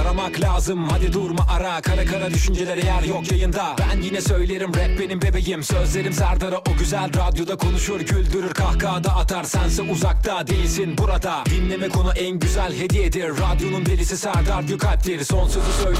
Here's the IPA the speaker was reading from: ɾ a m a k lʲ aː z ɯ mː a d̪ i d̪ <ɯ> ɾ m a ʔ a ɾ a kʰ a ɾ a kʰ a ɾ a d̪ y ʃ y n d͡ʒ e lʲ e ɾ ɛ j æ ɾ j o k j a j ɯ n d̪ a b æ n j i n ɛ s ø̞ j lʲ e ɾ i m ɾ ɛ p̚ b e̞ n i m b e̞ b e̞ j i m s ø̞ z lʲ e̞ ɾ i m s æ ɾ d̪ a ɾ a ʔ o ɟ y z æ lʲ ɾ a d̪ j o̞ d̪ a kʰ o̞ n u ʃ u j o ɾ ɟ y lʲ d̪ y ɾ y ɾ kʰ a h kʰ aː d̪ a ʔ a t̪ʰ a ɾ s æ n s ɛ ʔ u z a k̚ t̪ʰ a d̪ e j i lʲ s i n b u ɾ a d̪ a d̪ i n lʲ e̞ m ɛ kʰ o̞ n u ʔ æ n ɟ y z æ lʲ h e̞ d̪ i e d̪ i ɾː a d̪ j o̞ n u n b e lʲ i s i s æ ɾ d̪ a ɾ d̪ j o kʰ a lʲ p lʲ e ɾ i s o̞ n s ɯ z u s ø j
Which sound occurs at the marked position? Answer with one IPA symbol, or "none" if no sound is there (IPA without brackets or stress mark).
u